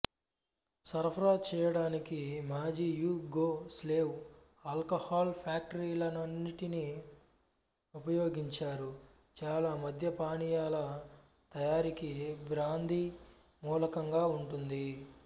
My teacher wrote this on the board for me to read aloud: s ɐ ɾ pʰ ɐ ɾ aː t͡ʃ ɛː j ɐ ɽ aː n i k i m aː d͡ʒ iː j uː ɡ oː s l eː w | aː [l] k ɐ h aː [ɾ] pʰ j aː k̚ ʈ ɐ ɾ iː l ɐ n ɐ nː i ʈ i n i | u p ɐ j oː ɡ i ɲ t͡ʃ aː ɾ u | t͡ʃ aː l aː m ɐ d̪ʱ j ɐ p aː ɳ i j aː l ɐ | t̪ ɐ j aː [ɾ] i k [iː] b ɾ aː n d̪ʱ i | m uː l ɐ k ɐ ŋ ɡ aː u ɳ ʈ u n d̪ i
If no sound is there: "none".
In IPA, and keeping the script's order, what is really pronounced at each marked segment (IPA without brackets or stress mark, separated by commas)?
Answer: l, l, ɾ, i